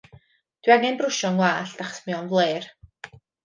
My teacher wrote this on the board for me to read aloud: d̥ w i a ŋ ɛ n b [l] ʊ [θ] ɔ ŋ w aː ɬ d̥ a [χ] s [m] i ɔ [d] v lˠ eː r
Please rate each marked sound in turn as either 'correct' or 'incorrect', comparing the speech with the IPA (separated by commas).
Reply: incorrect, incorrect, correct, correct, incorrect